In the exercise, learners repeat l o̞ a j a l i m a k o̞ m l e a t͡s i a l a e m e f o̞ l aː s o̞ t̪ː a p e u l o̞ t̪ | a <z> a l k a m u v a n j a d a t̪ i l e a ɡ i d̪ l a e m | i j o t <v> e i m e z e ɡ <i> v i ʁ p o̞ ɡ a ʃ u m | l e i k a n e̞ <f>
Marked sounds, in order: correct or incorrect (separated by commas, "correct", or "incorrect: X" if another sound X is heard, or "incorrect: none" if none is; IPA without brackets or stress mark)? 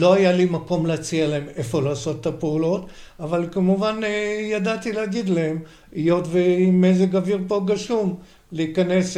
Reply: incorrect: v, correct, incorrect: a, incorrect: s